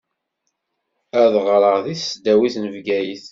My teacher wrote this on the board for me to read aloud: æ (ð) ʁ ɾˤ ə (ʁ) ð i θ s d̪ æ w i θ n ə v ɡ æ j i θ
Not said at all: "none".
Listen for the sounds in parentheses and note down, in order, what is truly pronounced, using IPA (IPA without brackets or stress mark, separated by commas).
ð, ʁ